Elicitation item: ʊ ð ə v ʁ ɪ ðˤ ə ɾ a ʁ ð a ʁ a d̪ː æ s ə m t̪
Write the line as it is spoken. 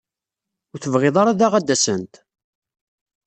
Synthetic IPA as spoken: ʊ θ ə v ʁ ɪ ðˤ ɑ ɾ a ð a ʁ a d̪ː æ s ə n t̪